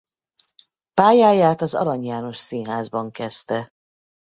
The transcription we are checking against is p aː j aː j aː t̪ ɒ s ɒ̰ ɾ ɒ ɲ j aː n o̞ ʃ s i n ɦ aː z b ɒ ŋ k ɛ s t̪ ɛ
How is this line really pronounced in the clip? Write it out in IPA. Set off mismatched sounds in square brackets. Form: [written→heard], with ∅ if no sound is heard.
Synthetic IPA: p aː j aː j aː t̪ ɒ [s→z] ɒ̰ ɾ ɒ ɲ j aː n o̞ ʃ s i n ɦ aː z b ɒ ŋ k ɛ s t̪ ɛ